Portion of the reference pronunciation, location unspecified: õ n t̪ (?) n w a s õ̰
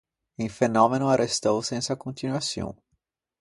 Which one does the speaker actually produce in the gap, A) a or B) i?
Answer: B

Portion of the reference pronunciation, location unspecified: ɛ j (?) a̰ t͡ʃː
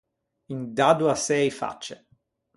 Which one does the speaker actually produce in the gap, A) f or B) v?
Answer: A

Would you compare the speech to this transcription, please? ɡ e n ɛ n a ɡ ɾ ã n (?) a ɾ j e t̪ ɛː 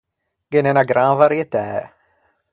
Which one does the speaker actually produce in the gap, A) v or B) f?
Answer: A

